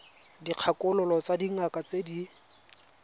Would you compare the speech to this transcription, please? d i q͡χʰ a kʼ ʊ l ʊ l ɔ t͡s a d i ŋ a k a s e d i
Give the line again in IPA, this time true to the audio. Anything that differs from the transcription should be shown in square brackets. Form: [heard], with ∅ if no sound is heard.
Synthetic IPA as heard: d i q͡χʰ a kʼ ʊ l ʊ l ɔ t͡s a d i ŋ a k a [t͡s] e d i